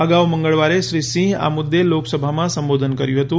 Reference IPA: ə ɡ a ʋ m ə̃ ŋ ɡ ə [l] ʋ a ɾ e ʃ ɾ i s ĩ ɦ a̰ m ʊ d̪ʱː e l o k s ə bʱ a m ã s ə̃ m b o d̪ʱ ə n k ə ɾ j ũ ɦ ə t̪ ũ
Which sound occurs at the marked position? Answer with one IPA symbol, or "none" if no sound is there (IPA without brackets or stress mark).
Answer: ɭ